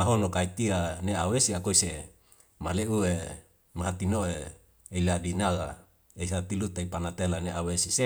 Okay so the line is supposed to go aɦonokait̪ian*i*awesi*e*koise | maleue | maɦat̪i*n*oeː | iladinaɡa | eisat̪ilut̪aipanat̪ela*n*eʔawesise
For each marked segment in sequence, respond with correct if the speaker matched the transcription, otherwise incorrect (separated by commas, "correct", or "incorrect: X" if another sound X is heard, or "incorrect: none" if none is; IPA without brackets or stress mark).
incorrect: e, incorrect: a, correct, correct